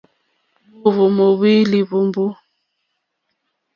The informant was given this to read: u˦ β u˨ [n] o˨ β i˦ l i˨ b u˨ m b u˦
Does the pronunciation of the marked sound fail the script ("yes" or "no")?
yes